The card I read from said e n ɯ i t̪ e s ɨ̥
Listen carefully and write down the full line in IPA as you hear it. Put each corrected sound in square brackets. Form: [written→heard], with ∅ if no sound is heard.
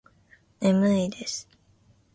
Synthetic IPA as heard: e [n→m] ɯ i [t̪→d̪] e s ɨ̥